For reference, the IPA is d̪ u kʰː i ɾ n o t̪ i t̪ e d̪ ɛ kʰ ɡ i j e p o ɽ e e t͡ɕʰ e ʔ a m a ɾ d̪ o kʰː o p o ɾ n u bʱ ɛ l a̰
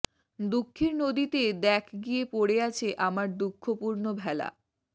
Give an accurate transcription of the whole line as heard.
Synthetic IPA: d̪ u kʰː i ɾ n o d̪ i t̪ e d̪ ɛ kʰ ɡ i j e p o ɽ e a t͡ɕʰ e ʔ a m a ɾ d̪ u kʰː o p u ɾ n o bʱ ɛ l a̰